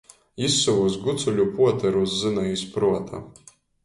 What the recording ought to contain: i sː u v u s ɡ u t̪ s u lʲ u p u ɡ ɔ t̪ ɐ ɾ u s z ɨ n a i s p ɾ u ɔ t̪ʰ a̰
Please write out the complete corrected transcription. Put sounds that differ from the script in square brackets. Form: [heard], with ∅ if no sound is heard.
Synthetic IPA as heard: i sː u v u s ɡ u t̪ s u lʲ u p u [∅] ɔ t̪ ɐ ɾ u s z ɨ n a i s p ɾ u ɔ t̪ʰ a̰